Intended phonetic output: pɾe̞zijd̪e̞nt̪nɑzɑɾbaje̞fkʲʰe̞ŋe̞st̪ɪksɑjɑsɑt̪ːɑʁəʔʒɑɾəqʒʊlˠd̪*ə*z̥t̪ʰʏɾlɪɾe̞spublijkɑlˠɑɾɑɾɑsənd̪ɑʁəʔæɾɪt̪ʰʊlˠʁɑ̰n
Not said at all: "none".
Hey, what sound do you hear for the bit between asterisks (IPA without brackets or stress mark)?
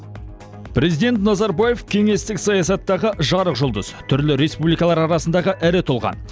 ə